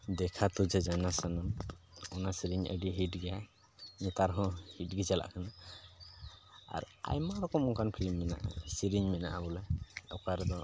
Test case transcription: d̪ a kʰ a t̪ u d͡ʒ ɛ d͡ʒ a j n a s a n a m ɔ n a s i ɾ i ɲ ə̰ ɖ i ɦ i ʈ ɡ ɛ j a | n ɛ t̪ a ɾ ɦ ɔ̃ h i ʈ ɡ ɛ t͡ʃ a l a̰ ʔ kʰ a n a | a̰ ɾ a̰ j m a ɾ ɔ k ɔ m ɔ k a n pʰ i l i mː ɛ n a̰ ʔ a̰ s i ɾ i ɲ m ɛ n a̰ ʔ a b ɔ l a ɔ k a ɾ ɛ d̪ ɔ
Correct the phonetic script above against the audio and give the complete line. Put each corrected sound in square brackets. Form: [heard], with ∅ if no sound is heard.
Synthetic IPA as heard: d̪ [ɛ] kʰ a t̪ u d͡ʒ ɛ d͡ʒ a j n a s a n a m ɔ n a s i ɾ i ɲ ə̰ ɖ i ɦ i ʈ ɡ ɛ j a | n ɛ t̪ a ɾ ɦ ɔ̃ h i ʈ ɡ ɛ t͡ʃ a l a̰ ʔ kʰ a n a | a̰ ɾ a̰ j m a ɾ ɔ k ɔ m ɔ k a n pʰ i l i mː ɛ n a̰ ʔ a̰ s i ɾ i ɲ m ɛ n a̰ ʔ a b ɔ l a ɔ k a ɾ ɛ d̪ ɔ

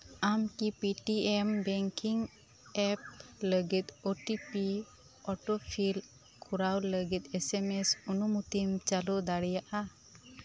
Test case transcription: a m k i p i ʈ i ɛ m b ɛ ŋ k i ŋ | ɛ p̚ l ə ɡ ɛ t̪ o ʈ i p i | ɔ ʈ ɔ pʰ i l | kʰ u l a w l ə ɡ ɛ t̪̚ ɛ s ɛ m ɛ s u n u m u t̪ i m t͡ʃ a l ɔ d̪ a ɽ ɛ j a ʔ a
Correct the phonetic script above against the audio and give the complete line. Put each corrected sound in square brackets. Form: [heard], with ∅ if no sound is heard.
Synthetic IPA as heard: a m k i p i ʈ i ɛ m b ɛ ŋ k i ŋ | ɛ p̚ l ə ɡ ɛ t̪ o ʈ i p i | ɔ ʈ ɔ pʰ i l | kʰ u [ɾ] a w l ə ɡ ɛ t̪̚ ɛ s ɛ m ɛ s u n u m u t̪ i m t͡ʃ a l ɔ d̪ a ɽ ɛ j a ʔ a

